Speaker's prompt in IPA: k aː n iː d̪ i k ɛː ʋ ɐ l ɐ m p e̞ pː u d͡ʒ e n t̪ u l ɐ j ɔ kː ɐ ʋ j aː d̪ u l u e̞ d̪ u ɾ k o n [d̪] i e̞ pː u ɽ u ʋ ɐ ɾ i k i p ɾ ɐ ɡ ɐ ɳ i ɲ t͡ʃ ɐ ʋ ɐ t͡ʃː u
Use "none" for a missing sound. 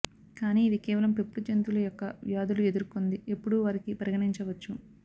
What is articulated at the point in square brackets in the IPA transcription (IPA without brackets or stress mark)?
d̪